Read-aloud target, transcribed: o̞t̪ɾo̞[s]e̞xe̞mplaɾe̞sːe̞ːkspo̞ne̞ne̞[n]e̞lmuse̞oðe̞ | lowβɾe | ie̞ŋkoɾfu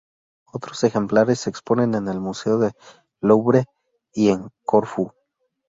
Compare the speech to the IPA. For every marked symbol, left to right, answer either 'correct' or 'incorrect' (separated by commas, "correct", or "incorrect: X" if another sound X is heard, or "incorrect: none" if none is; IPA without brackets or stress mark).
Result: correct, correct